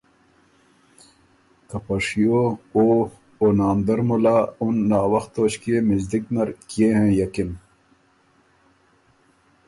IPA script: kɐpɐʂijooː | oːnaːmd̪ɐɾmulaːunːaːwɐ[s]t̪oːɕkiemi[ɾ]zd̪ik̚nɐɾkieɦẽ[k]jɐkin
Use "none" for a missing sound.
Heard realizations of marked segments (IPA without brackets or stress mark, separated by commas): x, none, none